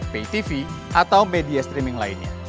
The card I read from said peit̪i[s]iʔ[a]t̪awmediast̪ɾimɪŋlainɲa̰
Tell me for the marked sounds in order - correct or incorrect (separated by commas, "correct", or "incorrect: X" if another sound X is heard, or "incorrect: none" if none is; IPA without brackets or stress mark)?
incorrect: f, correct